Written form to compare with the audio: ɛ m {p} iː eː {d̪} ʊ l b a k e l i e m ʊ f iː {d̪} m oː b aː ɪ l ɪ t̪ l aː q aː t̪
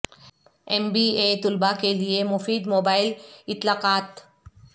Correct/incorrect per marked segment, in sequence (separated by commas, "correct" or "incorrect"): incorrect, incorrect, correct